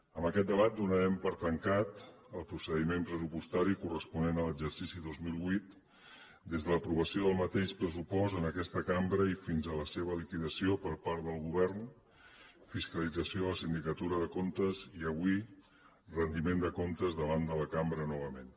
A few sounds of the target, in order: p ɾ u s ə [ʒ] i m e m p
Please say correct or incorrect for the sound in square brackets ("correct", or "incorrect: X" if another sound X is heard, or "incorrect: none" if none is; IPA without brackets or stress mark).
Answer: incorrect: ð